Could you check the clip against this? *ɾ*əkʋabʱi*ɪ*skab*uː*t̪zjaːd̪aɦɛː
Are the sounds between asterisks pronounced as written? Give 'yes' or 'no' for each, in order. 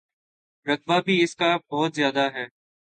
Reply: yes, yes, no

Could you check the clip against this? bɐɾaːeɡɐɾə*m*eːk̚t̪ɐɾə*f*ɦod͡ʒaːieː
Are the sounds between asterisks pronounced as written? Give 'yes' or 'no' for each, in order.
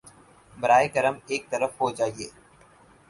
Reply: yes, yes

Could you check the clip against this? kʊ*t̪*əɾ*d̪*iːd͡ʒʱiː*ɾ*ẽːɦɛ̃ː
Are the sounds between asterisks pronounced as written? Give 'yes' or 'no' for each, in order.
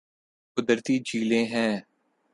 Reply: no, no, no

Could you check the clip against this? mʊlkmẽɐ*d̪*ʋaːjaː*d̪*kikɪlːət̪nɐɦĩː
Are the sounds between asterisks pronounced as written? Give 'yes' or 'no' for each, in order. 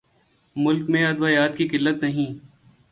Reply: yes, no

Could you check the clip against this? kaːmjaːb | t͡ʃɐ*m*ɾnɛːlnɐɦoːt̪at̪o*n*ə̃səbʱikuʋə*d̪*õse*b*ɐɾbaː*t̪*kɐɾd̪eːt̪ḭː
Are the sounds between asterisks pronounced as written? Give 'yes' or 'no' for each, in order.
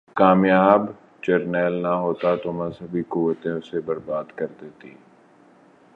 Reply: no, no, no, yes, no

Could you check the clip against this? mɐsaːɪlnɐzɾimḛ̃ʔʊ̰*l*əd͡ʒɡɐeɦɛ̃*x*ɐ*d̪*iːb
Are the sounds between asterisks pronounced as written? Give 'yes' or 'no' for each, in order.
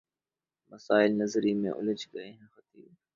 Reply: yes, yes, no

